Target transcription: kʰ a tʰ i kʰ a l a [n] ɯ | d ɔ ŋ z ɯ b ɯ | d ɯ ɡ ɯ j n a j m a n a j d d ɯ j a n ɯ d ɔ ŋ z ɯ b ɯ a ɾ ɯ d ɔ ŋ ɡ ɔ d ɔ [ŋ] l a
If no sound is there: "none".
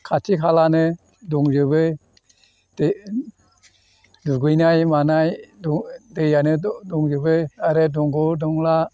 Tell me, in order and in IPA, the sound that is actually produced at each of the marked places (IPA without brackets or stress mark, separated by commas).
n, ŋ